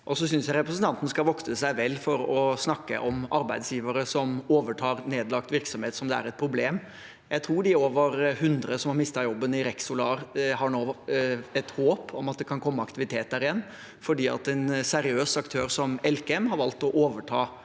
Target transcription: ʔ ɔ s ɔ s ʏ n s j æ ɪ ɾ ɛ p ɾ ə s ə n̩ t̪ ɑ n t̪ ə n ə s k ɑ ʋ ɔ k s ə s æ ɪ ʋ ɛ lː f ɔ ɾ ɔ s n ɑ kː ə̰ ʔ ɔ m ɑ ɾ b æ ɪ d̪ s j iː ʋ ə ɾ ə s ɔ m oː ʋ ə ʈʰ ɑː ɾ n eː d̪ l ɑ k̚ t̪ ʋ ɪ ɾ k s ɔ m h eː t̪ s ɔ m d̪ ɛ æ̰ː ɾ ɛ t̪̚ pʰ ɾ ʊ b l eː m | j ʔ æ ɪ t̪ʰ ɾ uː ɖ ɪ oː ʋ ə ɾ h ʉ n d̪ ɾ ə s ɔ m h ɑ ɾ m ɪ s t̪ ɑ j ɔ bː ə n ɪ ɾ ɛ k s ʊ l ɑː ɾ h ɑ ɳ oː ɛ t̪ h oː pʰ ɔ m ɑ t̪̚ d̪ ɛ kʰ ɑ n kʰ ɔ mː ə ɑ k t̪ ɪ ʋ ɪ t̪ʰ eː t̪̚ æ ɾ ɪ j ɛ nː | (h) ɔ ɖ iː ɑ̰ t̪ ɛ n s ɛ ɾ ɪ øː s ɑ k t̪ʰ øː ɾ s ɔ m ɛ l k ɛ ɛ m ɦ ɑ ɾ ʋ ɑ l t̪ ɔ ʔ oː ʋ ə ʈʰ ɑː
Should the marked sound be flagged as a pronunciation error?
yes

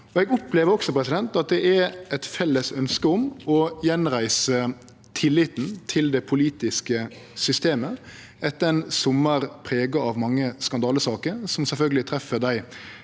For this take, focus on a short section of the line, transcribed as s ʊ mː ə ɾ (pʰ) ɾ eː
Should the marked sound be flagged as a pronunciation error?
no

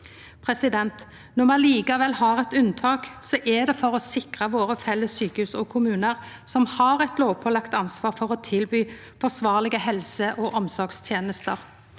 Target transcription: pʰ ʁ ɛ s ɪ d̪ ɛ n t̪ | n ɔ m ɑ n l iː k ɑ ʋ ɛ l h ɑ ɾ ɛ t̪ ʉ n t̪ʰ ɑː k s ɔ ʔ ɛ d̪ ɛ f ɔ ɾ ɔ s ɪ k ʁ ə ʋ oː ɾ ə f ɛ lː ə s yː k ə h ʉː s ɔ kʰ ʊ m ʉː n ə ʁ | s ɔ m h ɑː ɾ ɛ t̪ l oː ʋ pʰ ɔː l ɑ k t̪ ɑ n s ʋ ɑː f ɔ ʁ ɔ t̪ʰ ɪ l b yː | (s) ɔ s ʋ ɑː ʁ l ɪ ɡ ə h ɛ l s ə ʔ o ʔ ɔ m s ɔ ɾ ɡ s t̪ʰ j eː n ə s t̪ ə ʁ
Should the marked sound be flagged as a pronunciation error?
yes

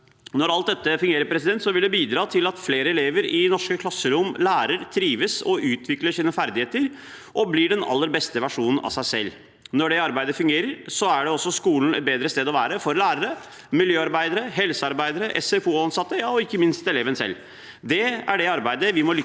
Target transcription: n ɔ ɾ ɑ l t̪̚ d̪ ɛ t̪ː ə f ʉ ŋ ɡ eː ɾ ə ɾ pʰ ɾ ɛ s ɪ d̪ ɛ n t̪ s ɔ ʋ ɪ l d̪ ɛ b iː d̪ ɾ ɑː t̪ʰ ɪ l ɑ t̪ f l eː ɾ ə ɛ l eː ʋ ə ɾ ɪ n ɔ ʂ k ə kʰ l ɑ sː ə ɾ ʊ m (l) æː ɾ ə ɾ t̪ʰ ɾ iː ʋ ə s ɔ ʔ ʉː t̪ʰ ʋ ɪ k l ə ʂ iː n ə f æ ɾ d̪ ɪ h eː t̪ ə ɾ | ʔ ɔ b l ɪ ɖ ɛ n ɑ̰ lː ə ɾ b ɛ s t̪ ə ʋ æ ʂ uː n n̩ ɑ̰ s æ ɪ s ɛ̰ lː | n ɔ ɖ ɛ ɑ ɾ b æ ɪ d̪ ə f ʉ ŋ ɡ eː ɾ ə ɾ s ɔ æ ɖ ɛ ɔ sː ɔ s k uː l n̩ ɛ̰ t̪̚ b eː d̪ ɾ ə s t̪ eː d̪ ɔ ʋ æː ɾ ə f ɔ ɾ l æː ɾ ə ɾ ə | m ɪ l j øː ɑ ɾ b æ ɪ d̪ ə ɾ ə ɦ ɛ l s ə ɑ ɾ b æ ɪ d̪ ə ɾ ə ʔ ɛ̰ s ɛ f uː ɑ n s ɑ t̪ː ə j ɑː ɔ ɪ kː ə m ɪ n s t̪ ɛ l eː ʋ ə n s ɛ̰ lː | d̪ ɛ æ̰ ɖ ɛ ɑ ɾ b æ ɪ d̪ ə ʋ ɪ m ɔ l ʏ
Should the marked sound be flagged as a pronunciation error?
no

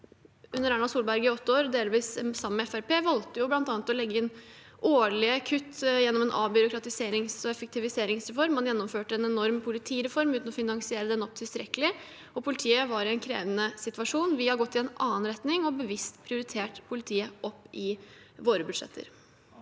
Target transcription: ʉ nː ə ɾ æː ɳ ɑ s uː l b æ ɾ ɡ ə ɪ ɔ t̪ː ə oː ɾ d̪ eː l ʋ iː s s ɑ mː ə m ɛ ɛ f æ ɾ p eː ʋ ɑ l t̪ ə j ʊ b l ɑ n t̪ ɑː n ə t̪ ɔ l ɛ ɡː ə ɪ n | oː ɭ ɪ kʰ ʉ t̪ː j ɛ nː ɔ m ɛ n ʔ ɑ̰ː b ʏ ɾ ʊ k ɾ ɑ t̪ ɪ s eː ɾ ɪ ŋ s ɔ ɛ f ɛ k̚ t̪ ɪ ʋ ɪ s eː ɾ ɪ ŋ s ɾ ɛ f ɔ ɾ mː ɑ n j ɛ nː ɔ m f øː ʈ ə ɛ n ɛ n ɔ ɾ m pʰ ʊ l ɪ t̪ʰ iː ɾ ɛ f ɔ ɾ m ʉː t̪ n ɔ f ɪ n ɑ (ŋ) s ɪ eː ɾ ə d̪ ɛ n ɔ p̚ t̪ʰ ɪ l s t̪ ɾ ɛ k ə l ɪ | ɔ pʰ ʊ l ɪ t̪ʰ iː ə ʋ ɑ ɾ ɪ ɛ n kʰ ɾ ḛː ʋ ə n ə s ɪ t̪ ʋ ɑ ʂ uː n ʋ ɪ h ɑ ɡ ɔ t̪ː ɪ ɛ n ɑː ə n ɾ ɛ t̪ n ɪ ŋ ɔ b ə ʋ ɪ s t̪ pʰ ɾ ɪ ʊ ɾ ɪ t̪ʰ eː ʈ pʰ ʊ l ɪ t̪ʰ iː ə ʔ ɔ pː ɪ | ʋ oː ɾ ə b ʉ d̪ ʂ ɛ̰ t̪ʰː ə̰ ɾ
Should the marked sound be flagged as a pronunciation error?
no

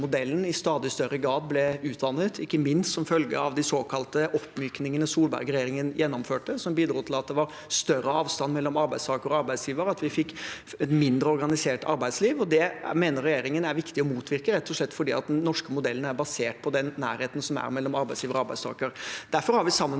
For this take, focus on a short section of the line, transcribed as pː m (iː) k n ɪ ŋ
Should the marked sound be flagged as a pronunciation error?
yes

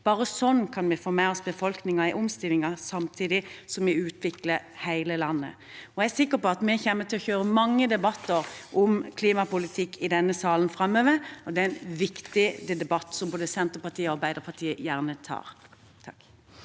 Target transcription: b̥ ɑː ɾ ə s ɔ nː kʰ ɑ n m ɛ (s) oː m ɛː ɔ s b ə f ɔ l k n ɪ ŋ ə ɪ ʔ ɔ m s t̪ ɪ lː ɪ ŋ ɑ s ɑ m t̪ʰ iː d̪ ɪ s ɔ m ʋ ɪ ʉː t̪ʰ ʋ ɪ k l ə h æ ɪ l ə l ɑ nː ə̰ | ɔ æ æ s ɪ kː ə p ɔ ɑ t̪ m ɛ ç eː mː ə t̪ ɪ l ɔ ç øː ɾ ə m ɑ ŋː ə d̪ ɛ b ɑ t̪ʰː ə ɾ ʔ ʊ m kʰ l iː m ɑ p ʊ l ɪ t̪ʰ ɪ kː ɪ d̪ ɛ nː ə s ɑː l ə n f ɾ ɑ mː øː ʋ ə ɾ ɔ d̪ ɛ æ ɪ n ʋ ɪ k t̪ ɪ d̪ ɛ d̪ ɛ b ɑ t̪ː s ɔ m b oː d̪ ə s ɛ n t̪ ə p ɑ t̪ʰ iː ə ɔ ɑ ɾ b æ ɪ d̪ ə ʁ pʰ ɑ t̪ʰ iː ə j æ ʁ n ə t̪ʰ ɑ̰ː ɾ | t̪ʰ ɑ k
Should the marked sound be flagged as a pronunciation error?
yes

